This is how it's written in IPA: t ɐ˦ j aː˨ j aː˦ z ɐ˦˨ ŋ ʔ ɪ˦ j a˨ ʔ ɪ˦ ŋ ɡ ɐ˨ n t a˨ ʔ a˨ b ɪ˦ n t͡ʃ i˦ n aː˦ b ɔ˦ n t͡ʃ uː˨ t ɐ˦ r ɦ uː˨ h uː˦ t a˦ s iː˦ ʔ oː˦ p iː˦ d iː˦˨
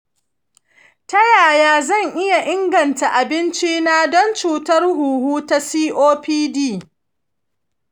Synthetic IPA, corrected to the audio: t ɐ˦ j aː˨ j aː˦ z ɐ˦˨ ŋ ʔ ɪ˦ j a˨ ʔ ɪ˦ ŋ ɡ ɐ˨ n t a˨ ʔ a˨ b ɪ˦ n t͡ʃ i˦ n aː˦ d ɔ˦ n t͡ʃ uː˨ t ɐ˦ r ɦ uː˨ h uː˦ t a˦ s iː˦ ʔ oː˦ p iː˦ d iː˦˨